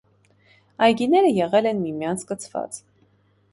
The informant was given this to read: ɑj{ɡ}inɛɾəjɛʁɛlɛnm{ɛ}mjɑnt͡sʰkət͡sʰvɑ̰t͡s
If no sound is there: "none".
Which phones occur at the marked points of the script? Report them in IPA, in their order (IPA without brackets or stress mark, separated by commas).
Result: ɡ, i